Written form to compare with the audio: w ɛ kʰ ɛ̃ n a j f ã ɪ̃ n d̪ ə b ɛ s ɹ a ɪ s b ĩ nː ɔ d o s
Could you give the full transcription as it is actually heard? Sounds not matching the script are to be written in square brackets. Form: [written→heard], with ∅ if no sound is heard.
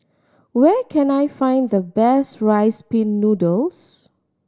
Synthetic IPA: w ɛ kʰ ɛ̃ n a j f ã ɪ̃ n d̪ ə b ɛ s ɹ a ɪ s [b→p] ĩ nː [ɔ→u] d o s